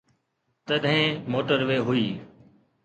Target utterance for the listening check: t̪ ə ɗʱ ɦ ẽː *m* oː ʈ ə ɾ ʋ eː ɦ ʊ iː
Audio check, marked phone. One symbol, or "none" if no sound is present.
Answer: m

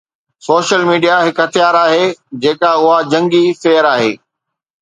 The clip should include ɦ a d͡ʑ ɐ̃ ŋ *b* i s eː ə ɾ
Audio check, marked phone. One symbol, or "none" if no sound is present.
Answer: ɡ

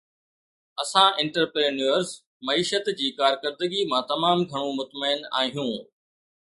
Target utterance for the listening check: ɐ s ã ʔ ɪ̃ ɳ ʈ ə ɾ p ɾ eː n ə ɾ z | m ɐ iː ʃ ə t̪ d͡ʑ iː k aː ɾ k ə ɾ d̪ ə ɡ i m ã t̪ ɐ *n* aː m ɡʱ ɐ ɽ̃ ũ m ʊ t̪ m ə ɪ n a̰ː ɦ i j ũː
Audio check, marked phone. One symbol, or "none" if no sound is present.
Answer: m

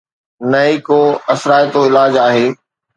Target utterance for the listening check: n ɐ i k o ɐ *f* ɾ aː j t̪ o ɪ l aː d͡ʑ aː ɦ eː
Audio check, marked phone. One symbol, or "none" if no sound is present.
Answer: s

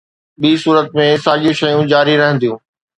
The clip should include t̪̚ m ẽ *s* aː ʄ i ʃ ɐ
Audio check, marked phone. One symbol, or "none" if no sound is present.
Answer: s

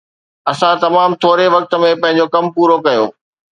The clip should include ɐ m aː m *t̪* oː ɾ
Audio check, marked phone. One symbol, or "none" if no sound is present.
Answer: t̪ʰ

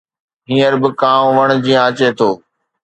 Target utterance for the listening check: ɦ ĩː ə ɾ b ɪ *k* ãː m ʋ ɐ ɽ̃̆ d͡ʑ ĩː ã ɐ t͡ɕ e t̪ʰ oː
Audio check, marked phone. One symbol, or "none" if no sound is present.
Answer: k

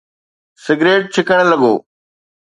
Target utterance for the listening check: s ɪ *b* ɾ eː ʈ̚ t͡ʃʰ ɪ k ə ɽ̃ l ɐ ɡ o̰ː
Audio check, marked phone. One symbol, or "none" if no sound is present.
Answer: ɡ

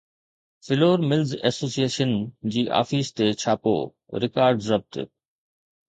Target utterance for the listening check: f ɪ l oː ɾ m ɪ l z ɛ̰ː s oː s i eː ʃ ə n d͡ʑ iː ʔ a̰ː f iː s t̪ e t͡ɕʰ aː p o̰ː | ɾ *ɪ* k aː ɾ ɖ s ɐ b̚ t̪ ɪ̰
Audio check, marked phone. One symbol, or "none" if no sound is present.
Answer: ɪ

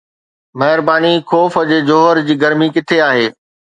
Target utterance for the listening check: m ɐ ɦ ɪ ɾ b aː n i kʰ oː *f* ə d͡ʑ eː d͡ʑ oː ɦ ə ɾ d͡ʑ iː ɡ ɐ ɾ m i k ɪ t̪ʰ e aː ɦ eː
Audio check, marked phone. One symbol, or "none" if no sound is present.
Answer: f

